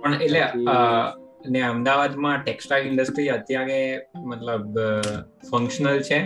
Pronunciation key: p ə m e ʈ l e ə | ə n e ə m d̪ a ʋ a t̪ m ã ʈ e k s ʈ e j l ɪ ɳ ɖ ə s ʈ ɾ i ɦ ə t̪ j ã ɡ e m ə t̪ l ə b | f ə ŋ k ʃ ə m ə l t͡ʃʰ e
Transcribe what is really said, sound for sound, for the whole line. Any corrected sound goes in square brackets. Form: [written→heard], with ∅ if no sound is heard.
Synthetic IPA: p ə [m→ɳ] e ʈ l e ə | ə n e ə m d̪ a ʋ a [t̪→d̪] m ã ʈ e k s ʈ [e→a] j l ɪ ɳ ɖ ə s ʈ ɾ i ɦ ə t̪ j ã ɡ e m ə t̪ l ə b | f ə ŋ k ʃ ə [m→n] ə l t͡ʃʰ e